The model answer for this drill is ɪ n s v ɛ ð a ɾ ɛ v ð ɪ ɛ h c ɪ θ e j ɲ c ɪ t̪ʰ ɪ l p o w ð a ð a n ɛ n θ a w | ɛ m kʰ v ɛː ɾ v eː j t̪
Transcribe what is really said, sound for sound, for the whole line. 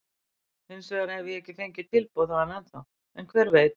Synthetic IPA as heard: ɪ n s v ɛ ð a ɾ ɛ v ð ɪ ɛ h c ɪ θ e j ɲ c ɪ t̪ʰ ɪ l p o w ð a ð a n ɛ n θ a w | ɛ n kʰ v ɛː ɾ v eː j t̪